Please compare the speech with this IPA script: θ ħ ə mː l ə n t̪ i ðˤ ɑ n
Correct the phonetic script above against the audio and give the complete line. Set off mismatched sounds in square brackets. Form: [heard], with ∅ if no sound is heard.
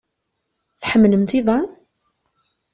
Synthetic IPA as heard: θ ħ ə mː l ə [m] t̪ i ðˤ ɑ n